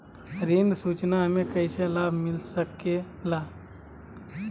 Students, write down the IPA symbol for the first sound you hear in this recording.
ɾ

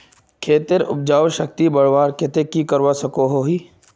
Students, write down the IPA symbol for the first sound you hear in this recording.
kʰ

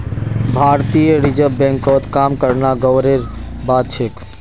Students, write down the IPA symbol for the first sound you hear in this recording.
bʱ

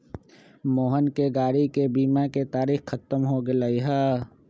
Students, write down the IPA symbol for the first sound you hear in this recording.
m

